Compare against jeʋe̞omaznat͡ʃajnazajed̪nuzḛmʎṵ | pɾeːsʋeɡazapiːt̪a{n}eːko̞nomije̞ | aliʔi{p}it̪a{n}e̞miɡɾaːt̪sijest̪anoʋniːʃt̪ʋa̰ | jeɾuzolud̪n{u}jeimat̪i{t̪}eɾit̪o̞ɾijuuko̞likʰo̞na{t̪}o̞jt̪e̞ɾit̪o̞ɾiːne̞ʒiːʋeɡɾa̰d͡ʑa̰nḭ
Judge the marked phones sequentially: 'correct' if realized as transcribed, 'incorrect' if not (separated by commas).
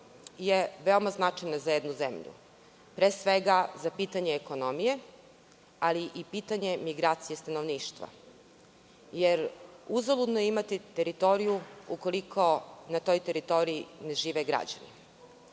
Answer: incorrect, correct, incorrect, incorrect, correct, correct